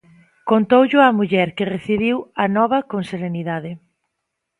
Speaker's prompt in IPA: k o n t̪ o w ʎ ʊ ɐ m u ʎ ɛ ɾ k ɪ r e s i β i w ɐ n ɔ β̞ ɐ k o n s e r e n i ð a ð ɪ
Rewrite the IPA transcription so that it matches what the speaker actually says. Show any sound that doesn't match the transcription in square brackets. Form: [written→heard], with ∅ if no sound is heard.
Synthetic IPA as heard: k o n t̪ o w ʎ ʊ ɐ m u ʎ ɛ ɾ k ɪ r e [s→θ] i β i w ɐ n ɔ β̞ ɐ k o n s e [r→ɾ] e n i ð a ð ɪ